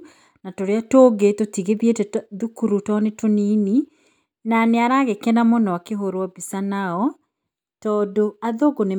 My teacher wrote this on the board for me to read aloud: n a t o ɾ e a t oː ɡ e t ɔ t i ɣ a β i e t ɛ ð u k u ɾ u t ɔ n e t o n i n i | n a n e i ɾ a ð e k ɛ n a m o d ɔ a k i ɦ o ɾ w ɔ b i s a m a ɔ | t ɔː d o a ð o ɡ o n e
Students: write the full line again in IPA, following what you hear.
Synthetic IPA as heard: n a t o ɾ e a t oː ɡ e t o t i ɣ e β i e t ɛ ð u k u ɾ u t ɔ n e t o n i n i | n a n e a ɾ a ɣ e k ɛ n a m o n ɔ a k e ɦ o ɾ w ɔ b i s a n a ɔ | t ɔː d o a ð o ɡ o n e